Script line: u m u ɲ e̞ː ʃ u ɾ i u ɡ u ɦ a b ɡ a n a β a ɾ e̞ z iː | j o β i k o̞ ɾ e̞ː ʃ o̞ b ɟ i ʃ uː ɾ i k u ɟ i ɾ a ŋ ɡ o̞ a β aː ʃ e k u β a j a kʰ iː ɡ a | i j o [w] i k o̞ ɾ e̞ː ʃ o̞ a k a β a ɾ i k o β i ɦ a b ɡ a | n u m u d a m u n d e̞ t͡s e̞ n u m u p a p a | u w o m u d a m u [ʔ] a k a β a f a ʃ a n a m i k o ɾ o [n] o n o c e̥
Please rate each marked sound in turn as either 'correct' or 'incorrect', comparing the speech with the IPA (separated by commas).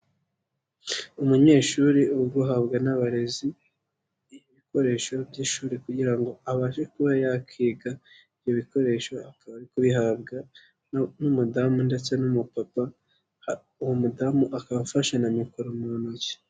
incorrect, correct, incorrect